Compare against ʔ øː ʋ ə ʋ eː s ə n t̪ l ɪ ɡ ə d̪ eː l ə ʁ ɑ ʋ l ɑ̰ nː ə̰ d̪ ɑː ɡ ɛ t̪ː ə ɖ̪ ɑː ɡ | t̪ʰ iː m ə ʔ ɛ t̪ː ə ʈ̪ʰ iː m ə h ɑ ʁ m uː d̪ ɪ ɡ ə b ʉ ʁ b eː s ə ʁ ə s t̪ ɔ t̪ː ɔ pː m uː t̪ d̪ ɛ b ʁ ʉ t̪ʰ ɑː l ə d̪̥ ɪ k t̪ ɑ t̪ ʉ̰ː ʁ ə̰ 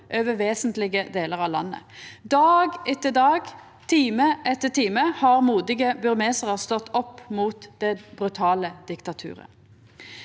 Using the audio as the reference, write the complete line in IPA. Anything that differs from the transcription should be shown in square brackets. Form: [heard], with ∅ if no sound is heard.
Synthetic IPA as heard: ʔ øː ʋ ə ʋ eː s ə n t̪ l ɪ ɡ ə d̪ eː l ə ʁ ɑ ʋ l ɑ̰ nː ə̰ d̪ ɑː ɡ ɛ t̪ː ə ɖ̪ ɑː ɡ | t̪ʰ iː m ə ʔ ɛ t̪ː ə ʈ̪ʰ iː m ə h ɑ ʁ m uː d̪ ɪ ɡ ə b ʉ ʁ [m] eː s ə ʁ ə s t̪ ɔ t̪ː ɔ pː m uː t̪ d̪ ɛ b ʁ ʉ t̪ʰ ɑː l ə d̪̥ ɪ k t̪ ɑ [t̪ʰ] ʉ̰ː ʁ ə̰